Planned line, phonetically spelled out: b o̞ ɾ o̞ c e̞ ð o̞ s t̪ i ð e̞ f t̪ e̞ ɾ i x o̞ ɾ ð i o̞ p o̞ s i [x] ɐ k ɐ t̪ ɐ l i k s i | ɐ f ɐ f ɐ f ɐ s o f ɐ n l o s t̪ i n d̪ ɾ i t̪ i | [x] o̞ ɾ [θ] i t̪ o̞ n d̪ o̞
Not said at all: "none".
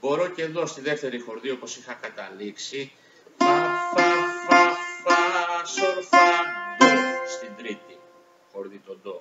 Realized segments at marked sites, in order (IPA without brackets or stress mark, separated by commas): x, x, ð